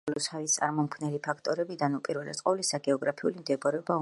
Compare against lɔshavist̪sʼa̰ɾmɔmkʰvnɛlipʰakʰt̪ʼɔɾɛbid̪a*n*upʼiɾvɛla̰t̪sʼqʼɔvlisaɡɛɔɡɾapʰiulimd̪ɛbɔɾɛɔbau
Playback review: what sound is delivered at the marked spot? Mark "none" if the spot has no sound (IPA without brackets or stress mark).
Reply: n